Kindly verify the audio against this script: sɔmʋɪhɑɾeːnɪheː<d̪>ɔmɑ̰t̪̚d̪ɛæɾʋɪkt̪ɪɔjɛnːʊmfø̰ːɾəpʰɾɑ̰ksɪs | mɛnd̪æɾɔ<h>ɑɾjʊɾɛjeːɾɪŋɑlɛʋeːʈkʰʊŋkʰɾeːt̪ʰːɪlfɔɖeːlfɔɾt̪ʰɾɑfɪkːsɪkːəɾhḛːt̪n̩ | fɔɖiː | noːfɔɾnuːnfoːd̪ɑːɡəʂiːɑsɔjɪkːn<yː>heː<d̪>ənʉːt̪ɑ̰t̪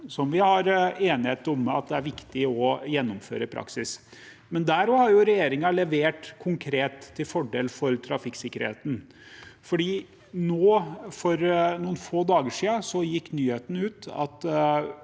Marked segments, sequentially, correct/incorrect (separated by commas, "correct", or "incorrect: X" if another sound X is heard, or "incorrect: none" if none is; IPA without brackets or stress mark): incorrect: t̪, correct, correct, incorrect: t̪